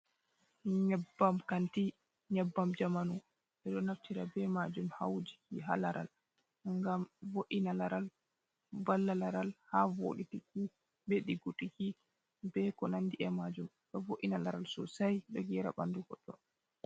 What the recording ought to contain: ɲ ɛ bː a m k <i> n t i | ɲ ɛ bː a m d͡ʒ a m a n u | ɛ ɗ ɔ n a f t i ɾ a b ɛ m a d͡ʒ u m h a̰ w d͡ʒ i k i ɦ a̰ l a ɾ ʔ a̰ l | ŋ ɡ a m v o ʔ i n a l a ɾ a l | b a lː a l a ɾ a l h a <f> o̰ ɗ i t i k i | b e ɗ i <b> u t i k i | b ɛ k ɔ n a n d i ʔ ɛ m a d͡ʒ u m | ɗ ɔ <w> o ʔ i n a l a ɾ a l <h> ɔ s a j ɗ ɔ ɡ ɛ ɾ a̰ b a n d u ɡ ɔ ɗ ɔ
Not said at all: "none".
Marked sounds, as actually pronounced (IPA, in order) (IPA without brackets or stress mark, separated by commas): a, v, ɡ, v, s